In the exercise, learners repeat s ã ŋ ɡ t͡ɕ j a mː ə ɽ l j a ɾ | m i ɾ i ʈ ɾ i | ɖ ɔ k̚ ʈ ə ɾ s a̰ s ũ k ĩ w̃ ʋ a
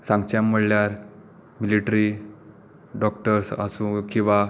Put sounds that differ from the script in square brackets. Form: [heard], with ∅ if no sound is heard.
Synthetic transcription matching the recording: s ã ŋ ɡ t͡ɕ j a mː ə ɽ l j a ɾ | m i [l] i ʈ ɾ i | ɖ ɔ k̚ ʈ ə ɾ s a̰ s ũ k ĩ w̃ ʋ a